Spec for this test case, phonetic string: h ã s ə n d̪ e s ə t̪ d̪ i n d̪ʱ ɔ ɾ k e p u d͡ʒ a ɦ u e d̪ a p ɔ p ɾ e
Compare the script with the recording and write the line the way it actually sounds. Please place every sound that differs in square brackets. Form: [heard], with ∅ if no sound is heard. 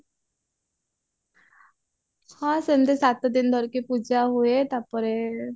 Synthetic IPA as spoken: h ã s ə n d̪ e s [a] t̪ d̪ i n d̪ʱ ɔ ɾ k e p u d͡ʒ a ɦ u e [t̪] a p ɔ [∅] ɾ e